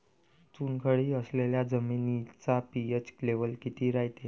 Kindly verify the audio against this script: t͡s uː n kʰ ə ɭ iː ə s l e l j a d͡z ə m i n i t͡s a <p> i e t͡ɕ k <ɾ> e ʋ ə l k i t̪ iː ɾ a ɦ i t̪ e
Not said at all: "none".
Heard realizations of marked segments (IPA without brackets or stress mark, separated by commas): p, l